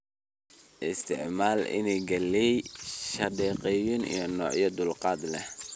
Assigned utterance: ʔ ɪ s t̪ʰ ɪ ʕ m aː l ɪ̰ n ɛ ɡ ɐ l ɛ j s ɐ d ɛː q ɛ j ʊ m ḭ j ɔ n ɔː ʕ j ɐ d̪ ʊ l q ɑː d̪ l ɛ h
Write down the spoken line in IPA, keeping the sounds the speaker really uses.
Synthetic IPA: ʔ ɪ s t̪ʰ ɪ ʕ m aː l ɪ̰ n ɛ ɡ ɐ l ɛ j ʃ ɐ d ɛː q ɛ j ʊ n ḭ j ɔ n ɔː ʕ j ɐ d̪ ʊ l q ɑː d̪ l ɛ h